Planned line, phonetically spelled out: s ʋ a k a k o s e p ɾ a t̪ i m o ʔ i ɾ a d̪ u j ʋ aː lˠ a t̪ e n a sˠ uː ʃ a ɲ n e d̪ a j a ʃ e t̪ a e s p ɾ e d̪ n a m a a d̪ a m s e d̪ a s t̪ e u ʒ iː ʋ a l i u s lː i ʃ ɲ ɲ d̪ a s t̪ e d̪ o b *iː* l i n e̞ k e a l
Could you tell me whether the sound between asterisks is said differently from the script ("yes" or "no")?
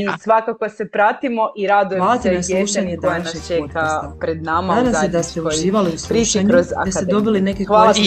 yes